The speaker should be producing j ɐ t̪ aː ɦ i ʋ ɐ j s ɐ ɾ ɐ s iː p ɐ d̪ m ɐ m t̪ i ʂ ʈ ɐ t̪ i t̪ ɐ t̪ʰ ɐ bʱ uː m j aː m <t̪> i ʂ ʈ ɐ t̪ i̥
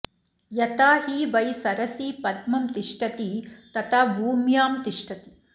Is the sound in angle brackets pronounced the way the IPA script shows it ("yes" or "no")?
yes